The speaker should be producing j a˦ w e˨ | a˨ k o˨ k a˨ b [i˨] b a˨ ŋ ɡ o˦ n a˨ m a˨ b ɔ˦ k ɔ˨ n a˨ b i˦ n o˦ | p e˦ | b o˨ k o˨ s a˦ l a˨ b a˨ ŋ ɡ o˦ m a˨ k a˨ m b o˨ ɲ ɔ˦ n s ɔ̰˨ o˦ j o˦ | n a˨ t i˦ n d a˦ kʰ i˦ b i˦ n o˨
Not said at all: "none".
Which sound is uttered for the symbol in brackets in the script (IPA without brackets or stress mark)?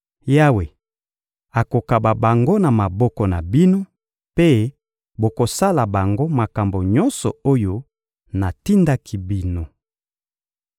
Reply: a˨